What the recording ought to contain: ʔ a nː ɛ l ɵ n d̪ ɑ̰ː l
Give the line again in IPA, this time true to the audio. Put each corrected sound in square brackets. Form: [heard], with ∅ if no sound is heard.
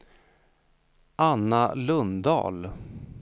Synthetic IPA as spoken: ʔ a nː [a] l ɵ n d̪ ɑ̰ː l